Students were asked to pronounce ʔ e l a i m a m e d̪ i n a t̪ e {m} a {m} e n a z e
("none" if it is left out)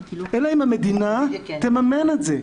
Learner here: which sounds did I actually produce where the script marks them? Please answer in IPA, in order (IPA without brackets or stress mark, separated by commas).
m, m